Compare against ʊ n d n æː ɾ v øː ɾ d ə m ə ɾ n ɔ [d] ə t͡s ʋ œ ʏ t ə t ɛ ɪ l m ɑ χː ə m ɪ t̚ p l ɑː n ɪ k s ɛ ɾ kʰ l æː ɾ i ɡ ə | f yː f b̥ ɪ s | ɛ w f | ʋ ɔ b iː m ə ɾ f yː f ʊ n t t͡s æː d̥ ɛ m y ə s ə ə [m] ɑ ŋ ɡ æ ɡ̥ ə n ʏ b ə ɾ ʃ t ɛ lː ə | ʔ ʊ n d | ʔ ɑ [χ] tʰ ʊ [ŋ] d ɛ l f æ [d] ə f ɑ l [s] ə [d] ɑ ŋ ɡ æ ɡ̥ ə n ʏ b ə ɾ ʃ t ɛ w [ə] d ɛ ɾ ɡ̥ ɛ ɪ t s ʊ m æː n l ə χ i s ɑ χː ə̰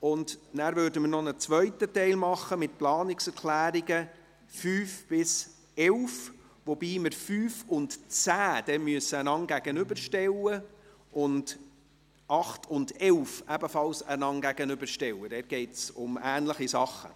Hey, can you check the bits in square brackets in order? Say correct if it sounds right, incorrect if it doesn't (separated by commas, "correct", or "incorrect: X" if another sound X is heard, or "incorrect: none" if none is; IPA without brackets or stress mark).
incorrect: n, incorrect: n, correct, incorrect: n, incorrect: b, correct, incorrect: n, correct